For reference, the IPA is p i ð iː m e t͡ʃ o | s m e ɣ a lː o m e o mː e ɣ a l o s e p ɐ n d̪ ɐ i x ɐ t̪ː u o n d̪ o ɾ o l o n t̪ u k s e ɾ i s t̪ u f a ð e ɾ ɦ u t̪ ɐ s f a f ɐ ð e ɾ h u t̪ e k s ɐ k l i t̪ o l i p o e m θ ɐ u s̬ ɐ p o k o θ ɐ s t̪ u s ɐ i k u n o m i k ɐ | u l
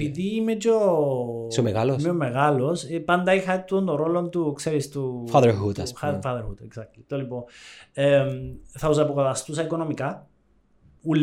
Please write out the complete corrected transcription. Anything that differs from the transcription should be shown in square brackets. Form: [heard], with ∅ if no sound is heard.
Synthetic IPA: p i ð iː m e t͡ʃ o | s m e ɣ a [l] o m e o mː e ɣ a l o s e p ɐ n d̪ ɐ i x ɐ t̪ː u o n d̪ o ɾ o l o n t̪ u k s e ɾ i s t̪ u f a ð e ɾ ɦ u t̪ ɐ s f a f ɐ ð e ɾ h u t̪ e k s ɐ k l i t̪ o l i p o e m θ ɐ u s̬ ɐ p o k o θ ɐ s t̪ u s ɐ i k [o] n o m i k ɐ | u l